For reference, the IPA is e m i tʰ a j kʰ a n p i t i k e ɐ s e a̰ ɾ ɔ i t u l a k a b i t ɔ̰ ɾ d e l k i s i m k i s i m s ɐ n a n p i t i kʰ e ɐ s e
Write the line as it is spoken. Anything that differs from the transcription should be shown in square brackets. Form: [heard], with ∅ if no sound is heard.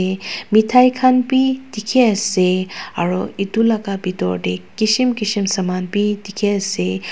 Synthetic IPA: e m i tʰ a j kʰ a n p i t i [kʰ] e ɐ s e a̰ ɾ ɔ i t u l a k a b i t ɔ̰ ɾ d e [∅] k i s i m k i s i m s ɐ [m] a n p i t i kʰ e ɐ s e